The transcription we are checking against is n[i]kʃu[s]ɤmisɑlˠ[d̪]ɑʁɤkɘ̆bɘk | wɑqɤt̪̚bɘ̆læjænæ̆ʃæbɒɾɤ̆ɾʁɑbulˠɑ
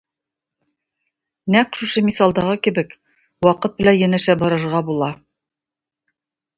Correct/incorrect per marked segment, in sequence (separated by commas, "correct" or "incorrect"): incorrect, incorrect, correct